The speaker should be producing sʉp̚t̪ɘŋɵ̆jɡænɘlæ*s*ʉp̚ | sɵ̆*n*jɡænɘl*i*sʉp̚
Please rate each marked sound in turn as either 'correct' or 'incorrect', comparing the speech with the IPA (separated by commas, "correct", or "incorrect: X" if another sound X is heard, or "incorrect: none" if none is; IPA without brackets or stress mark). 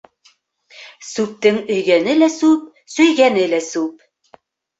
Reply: correct, incorrect: none, incorrect: æ